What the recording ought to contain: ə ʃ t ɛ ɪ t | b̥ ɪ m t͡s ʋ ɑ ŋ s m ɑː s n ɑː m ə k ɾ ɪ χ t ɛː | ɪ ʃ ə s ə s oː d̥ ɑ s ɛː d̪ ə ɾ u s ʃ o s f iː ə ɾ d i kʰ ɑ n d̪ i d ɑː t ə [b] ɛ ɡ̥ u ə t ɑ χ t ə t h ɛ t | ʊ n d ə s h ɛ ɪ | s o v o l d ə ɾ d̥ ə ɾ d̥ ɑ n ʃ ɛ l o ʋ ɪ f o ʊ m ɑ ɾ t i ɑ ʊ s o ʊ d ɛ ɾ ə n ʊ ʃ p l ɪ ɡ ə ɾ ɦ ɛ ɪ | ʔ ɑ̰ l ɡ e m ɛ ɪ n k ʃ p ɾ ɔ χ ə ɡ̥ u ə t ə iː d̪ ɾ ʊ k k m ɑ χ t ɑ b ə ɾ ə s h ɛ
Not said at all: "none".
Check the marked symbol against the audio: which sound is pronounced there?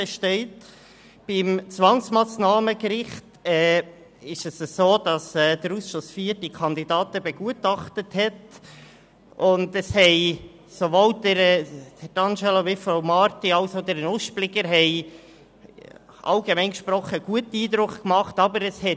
b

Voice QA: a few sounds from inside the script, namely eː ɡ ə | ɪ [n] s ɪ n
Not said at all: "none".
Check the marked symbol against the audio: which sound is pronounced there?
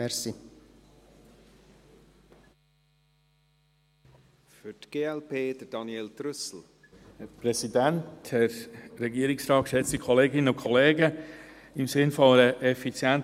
m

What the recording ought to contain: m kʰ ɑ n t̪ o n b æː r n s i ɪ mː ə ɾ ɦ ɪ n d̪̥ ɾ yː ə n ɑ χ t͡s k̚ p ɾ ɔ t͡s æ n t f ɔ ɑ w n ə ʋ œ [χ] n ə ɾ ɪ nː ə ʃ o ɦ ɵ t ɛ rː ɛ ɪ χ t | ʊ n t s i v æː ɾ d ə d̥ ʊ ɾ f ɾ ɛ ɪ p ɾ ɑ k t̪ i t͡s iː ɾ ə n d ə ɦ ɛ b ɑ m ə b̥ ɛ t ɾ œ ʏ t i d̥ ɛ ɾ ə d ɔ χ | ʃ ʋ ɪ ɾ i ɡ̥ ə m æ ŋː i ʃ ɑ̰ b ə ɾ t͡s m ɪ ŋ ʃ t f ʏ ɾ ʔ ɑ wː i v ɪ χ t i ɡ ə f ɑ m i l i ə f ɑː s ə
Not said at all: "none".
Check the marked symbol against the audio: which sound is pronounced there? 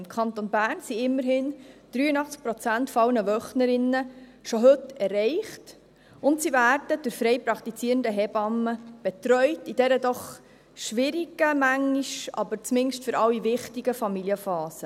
χ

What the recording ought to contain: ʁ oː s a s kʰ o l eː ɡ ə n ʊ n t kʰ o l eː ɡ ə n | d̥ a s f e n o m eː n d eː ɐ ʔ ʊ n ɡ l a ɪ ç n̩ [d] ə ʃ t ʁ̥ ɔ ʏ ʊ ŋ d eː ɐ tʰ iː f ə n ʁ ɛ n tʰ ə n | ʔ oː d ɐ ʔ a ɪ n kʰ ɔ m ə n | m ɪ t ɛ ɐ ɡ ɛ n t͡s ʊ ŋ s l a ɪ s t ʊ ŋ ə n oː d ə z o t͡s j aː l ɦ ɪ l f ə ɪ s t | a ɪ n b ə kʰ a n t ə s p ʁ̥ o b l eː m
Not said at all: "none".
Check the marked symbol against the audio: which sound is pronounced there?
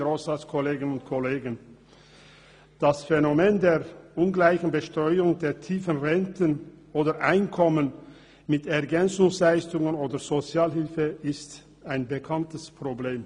b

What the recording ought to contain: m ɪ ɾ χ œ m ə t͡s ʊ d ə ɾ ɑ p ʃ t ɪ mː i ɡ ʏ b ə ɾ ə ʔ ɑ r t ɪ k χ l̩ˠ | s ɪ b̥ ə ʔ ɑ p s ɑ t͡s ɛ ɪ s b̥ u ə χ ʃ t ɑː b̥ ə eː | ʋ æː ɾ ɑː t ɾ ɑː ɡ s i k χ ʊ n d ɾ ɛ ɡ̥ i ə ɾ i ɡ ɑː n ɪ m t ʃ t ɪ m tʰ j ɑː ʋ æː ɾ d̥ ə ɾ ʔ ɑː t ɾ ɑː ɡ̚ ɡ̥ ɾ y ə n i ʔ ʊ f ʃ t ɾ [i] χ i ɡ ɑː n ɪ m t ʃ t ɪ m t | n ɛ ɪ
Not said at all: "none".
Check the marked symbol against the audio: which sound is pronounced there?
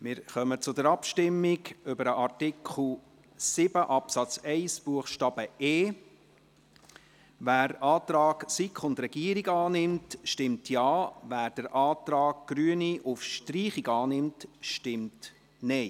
iː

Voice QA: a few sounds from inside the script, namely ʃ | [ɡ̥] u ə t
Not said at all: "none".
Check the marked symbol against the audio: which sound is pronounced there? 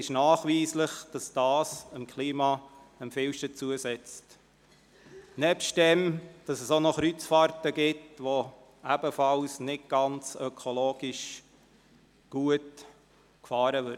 ɡ̥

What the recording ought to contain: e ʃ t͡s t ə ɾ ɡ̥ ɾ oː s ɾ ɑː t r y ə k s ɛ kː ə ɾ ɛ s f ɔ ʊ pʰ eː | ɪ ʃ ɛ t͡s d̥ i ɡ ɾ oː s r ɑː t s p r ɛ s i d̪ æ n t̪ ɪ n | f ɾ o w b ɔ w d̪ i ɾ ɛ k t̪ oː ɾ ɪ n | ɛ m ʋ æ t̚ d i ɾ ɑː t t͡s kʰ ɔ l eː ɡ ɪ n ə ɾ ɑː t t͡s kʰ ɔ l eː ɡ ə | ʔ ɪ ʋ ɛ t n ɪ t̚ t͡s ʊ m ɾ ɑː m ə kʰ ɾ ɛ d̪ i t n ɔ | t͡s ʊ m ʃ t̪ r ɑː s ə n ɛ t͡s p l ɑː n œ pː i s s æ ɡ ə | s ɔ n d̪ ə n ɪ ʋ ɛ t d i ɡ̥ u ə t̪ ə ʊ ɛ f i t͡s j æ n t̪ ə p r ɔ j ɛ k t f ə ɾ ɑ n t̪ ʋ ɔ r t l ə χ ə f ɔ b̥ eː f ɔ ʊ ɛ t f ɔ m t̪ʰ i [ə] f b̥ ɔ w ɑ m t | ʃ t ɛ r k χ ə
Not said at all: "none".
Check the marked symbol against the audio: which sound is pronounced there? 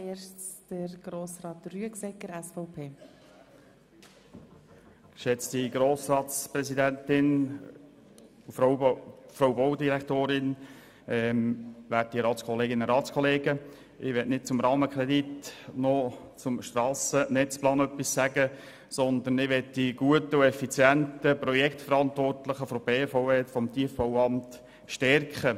ə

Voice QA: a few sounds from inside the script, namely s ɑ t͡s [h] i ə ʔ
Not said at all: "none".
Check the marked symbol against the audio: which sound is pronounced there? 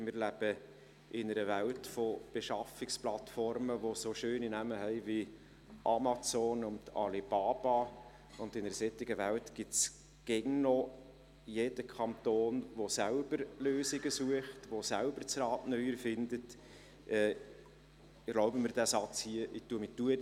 h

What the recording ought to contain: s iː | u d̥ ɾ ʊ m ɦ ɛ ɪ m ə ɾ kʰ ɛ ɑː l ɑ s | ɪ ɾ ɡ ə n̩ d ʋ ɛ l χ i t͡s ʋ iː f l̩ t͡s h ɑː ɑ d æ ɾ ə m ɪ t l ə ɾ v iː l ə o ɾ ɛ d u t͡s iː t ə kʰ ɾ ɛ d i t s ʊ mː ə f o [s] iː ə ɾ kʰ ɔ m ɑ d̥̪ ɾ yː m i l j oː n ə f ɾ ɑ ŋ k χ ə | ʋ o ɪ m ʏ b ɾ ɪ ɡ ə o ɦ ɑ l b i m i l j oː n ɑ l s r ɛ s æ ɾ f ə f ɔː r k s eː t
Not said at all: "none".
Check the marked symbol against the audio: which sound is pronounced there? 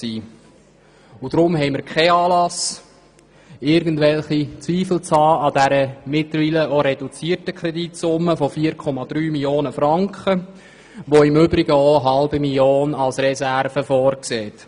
f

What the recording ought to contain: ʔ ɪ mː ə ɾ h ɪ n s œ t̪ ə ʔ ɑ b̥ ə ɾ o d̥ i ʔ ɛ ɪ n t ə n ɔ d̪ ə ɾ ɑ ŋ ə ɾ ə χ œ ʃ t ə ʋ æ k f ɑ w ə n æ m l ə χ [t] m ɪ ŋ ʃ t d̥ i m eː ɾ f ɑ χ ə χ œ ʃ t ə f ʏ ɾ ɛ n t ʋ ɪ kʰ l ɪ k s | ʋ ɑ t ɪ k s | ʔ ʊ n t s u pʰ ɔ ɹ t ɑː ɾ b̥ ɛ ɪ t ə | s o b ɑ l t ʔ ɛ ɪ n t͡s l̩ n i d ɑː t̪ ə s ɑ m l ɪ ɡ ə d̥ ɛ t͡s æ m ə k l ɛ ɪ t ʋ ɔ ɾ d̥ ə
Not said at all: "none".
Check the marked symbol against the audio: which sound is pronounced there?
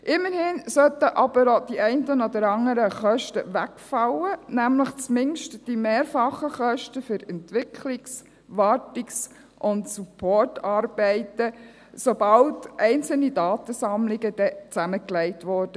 t͡s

